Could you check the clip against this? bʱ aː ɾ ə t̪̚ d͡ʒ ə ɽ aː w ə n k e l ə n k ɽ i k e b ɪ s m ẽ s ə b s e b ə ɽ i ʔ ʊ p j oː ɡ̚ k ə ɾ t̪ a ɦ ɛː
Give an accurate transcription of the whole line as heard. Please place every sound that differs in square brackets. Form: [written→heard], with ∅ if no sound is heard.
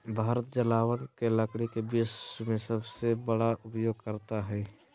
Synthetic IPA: bʱ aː ɾ ə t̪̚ d͡ʒ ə [ɽ→l] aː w ə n k e l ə [n→∅] k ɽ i k e b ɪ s m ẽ s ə b s e b ə ɽ [i→a] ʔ ʊ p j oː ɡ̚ k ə ɾ t̪ a ɦ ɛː